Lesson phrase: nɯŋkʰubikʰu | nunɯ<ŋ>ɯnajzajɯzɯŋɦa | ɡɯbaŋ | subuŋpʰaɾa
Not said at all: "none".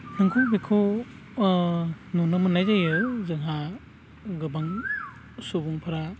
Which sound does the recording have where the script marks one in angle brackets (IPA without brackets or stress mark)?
m